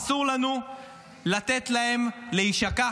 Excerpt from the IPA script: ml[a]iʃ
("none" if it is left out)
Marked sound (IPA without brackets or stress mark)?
e